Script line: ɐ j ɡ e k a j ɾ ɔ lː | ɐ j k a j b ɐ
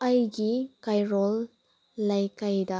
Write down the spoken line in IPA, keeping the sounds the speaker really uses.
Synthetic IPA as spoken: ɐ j ɡ i k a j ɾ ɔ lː | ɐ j k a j d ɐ